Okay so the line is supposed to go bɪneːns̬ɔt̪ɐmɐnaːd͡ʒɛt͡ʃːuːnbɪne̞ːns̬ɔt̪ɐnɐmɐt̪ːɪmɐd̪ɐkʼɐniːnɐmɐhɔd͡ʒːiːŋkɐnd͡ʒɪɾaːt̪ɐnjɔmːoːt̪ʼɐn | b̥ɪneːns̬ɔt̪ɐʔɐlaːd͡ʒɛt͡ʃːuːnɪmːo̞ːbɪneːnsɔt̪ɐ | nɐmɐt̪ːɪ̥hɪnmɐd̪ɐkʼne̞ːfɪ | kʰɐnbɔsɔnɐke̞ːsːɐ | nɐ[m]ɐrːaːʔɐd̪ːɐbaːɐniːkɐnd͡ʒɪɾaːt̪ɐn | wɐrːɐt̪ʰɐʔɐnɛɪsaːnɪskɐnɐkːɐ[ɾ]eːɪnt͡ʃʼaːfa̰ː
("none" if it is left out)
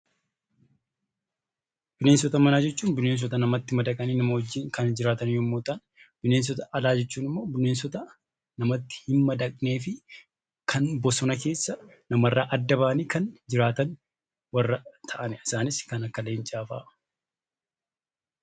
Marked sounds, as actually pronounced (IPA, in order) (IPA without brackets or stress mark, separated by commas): m, l